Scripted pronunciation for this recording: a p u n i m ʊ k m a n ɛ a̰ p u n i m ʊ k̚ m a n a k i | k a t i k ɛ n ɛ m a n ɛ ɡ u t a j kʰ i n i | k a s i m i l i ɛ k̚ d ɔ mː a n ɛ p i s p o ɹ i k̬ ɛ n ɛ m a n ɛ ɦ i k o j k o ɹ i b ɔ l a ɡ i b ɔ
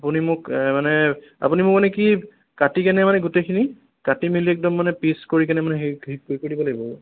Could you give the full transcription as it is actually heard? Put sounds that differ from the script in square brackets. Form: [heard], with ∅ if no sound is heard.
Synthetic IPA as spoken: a p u n i m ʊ k m a n ɛ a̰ p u n i m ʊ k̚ m a n [ɛ] k i | k a t i k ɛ n ɛ m a n ɛ ɡ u t [e] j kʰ i n i | k a [t] i m i l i ɛ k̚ d ɔ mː a n ɛ p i s [k] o ɹ i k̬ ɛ n ɛ m a n ɛ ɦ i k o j k o ɹ i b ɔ l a ɡ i b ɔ